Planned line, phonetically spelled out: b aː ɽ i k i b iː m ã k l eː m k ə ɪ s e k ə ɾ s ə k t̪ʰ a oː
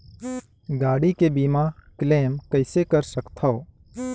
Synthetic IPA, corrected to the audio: ɡ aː ɽ i k e b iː m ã k l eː m k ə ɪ s e k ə ɾ s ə k t̪ʰ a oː

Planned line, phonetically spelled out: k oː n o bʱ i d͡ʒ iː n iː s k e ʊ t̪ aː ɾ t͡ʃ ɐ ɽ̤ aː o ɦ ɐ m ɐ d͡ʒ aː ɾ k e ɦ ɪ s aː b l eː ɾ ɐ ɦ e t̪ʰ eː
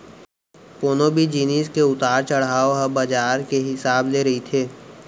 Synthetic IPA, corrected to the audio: k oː n o bʱ i d͡ʒ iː n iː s k e ʊ t̪ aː ɾ t͡ʃ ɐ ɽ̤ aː o ɦ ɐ b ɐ d͡ʒ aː ɾ k e ɦ ɪ s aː b l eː ɾ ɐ ɦ i t̪ʰ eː

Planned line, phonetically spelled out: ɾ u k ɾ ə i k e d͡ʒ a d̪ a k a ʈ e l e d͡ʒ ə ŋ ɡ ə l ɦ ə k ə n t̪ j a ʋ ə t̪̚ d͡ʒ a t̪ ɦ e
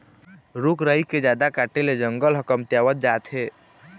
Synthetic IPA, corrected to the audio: ɾ u k ɾ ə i k e d͡ʒ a d̪ a k a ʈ e l e d͡ʒ ə ŋ ɡ ə l ɦ ə k ə m t̪ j a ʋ ə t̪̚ d͡ʒ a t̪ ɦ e

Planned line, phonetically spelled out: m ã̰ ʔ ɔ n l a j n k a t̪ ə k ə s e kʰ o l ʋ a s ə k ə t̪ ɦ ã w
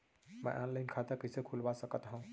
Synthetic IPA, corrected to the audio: m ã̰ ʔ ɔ n l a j n kʰ a t̪ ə k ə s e kʰ u l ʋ a s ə k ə t̪ ɦ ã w

